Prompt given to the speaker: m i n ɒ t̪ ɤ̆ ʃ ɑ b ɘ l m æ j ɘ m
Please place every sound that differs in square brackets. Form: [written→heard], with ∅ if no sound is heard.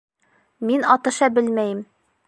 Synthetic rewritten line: m i n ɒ t̪ ɤ̆ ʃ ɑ b ɘ l m æ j ɘ m